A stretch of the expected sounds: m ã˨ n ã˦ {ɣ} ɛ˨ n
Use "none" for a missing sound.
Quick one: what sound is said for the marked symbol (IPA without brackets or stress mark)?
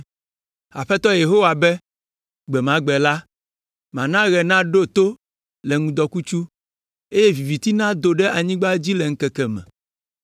ɣ